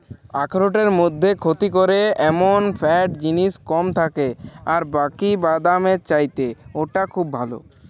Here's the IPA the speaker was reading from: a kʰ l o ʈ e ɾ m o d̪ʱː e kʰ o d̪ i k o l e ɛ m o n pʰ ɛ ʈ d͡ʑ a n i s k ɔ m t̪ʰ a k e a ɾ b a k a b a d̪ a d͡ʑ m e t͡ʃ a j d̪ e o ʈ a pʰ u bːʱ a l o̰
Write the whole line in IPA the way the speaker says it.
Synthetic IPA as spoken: a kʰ ɾ o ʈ e ɾ m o d̪ʱː e kʰ o t̪ i k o ɾ e ɛ m o n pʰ ɛ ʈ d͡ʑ i n i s k ɔ m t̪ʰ a k e a ɾ b a k i b a d̪ a m e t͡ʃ a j t̪ e o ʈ a kʰ u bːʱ a l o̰